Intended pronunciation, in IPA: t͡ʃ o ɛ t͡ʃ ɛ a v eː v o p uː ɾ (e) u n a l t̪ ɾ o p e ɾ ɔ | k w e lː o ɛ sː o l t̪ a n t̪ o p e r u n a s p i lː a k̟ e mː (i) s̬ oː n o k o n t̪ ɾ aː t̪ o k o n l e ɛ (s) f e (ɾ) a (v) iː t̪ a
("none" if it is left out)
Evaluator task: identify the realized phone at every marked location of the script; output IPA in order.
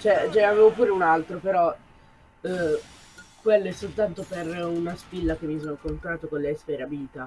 e, i, s, ɾ, b

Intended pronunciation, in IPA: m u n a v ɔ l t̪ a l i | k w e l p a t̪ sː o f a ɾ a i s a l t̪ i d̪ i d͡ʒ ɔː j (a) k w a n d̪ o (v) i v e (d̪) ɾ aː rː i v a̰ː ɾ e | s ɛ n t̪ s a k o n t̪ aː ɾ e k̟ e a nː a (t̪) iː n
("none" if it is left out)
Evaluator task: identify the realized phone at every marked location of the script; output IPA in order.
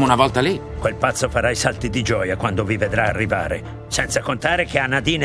a, v, d̪, d̪

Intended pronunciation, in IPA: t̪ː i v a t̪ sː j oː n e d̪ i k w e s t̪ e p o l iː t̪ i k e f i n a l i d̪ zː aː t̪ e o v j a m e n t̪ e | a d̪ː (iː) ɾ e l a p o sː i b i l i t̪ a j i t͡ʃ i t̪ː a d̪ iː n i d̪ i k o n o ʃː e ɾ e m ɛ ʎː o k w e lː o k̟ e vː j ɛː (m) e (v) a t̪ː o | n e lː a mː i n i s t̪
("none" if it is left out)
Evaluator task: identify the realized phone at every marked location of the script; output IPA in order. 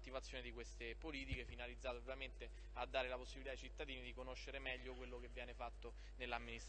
aː, n, f

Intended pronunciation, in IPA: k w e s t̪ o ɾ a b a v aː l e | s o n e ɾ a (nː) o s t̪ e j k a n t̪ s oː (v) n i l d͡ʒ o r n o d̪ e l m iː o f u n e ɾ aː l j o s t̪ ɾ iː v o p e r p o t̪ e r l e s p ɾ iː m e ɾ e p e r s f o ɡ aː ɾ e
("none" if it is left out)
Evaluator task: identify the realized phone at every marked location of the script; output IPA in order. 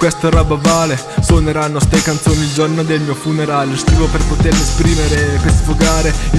nː, none

